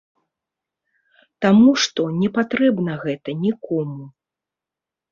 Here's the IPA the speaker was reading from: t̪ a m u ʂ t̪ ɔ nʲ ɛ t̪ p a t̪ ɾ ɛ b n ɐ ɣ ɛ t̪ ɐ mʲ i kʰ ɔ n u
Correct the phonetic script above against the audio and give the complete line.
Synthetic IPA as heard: t̪ a m u ʂ t̪ ɔ nʲ ɛ p a t̪ ɾ ɛ b n ɐ ɣ ɛ t̪ ɐ nʲ i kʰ ɔ m u